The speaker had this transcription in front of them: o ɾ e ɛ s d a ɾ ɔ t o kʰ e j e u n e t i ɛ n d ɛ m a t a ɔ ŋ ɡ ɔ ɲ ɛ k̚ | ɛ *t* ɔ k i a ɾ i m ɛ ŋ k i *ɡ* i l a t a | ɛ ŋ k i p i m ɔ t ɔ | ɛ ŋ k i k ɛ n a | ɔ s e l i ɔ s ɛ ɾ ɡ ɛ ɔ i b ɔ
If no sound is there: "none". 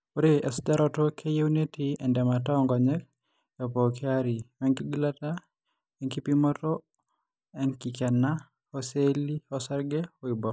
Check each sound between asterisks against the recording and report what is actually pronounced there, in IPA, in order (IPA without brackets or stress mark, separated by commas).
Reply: p, ɡ